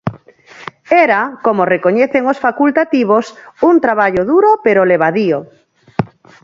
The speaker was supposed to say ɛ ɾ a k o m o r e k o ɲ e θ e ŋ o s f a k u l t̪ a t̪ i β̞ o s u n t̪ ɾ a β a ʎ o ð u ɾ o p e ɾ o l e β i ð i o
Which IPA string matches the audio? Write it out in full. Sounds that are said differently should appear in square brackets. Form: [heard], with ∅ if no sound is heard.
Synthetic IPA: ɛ ɾ a k o m o r e k o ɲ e θ e ŋ o s f a k u l t̪ a t̪ i β̞ o s u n t̪ ɾ a β a ʎ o ð u ɾ o p e ɾ o l e β [a] ð i o

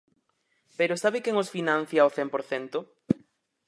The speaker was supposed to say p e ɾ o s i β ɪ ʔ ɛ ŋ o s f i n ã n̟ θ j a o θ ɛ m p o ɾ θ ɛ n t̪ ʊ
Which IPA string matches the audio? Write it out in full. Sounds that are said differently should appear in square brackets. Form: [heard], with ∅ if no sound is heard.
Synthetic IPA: p e ɾ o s [a] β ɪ [k] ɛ ŋ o s f i n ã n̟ θ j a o θ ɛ m p o ɾ θ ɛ n t̪ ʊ

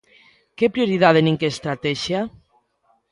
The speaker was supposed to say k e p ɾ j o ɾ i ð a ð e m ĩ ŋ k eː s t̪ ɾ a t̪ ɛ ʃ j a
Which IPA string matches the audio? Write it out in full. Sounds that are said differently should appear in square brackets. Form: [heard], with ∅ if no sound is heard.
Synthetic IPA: k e p ɾ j o ɾ i ð a ð e [n] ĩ ŋ k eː s t̪ ɾ a t̪ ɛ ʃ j a

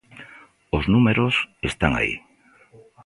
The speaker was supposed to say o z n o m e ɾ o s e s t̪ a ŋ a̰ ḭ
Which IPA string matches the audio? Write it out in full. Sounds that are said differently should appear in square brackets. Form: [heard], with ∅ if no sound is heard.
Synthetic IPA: o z n [u] m e ɾ o s e s t̪ a ŋ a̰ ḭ

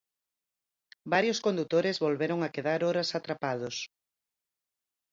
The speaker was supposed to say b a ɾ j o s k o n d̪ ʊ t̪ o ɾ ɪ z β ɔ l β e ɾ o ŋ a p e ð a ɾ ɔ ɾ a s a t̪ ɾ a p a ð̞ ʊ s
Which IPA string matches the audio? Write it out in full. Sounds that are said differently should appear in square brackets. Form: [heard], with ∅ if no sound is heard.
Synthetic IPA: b a ɾ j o s k o n d̪ [u] t̪ o ɾ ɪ z β [o] l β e ɾ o ŋ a [k] e ð a ɾ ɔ ɾ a s a t̪ ɾ a p a ð̞ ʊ s

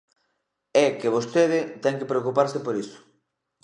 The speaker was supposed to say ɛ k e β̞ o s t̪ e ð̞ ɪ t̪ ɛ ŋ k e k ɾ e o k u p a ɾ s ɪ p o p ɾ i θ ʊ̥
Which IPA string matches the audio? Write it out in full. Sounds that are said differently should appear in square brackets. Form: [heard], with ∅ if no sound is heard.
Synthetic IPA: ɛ k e β̞ o s t̪ e ð̞ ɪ t̪ ɛ ŋ k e [p] ɾ e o k u p a ɾ s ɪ p o [∅] ɾ i [s] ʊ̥

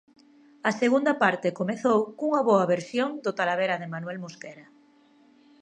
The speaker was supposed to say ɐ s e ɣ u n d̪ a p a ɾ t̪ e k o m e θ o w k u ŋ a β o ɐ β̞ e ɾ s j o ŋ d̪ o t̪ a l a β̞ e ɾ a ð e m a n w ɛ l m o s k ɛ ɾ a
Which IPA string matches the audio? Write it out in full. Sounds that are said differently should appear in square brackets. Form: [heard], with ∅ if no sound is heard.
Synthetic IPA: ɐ s e ɣ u n d̪ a p a ɾ t̪ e k o m e θ o w k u ŋ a β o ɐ β̞ e ɾ s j o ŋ d̪ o t̪ a l a β̞ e ɾ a ð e m a n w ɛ l m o s k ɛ ɾ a

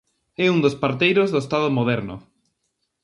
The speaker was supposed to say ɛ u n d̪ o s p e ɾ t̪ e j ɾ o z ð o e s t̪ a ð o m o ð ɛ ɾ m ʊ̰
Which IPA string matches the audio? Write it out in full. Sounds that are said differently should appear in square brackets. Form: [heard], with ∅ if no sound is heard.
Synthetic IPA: ɛ u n d̪ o s p [a] ɾ t̪ e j ɾ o z ð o e s t̪ a ð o m o ð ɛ ɾ [n] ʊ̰

